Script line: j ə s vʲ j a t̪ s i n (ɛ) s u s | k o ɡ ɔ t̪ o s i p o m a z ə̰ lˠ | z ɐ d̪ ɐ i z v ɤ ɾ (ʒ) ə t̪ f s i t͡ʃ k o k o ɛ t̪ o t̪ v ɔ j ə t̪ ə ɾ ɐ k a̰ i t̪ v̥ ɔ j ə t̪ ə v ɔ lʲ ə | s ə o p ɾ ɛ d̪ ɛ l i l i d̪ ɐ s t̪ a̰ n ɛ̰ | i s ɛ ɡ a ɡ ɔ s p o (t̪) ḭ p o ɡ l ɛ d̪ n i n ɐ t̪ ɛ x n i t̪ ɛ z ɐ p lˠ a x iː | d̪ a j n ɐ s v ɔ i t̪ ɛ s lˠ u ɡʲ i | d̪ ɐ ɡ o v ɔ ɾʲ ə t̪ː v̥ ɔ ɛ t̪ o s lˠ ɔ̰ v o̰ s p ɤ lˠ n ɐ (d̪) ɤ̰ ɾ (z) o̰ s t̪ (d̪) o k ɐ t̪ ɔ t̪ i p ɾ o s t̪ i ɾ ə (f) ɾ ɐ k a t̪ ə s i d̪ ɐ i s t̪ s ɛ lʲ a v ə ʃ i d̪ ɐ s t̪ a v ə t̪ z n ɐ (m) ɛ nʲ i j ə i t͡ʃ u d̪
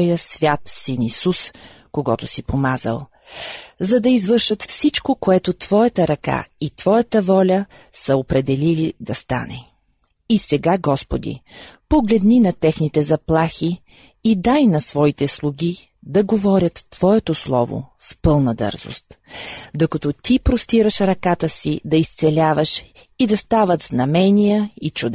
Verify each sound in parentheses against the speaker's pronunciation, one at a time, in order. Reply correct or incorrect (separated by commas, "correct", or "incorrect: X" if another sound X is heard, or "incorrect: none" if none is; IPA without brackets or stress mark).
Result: incorrect: i, incorrect: ʃ, incorrect: d̪, correct, correct, correct, incorrect: ʃ, correct